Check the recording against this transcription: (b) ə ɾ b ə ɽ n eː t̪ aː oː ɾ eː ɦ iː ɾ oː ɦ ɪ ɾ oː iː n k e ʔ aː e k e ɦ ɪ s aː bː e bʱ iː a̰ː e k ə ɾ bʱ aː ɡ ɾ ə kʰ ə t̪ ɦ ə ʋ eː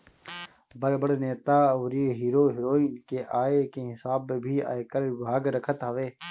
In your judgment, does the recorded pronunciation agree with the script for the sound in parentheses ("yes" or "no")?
yes